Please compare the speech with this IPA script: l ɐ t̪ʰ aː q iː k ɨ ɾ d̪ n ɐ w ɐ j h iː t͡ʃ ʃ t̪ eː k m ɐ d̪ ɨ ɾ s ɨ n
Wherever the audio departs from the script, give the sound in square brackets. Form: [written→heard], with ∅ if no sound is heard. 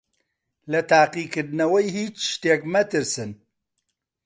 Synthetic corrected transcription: l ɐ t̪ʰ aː q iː k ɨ ɾ d̪ n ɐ w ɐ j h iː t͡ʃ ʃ t̪ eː k m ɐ [d̪→t̪] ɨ ɾ s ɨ n